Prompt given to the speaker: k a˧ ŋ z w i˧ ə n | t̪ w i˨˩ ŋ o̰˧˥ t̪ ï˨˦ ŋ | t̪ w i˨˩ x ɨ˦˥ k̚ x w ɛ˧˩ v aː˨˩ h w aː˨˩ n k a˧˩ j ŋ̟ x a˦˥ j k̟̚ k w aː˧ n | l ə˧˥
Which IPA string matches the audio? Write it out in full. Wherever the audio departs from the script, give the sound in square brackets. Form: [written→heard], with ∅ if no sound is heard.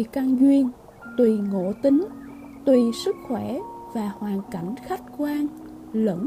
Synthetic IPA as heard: k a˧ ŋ z w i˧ ə n | t̪ w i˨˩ ŋ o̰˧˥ t̪ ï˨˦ ŋ | t̪ w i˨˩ [x→s] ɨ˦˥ k̚ x w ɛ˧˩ v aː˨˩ h w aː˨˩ n k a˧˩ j ŋ̟ x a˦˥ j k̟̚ k w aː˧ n | l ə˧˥